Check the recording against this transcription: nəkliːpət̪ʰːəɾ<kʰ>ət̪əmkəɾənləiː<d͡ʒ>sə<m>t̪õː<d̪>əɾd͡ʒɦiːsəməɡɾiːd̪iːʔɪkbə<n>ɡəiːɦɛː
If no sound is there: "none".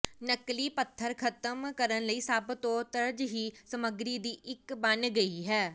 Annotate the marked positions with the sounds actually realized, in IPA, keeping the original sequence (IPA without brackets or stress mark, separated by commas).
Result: kʰ, none, b, t̪, n